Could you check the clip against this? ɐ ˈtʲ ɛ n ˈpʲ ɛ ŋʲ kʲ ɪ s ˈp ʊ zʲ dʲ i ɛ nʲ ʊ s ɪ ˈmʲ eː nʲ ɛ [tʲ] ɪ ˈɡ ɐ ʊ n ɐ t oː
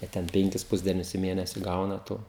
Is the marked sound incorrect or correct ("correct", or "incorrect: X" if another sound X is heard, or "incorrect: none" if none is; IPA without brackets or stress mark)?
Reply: incorrect: sʲ